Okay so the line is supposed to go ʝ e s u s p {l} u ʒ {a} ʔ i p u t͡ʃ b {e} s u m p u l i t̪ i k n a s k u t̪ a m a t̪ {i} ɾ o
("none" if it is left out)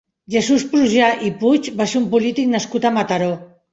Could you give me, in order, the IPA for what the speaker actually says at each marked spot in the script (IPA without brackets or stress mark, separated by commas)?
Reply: ɾ, a, a, a